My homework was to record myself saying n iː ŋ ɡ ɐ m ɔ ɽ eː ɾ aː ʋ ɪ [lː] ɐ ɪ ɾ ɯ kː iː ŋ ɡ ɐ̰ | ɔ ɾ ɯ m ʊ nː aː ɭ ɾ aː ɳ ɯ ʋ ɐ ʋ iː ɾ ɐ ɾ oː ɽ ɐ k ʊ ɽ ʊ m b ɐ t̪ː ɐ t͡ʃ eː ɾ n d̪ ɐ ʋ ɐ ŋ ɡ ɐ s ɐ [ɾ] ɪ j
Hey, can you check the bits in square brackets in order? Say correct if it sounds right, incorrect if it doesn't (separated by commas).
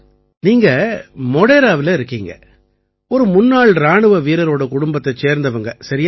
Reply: incorrect, correct